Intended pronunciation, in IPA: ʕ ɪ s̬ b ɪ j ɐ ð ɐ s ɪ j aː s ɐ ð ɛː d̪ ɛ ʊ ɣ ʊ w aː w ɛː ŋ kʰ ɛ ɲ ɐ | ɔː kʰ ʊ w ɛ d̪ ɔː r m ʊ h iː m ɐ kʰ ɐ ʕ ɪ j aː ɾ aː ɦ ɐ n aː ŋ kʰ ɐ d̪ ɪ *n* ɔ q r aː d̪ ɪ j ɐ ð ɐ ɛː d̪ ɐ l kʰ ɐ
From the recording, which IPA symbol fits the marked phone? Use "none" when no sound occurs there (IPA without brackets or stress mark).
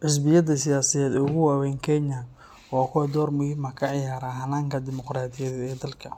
m